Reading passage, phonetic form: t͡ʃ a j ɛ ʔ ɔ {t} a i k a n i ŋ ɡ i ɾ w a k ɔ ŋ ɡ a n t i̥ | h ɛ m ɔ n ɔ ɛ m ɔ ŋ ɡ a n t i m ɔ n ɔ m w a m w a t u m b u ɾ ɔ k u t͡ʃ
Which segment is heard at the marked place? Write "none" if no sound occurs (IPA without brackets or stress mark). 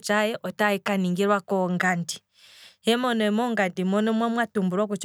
t